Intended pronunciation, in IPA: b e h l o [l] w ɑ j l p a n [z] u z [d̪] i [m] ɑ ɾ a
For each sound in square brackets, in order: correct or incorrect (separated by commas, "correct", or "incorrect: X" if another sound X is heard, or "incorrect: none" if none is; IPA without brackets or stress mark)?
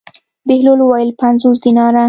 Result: correct, correct, correct, incorrect: n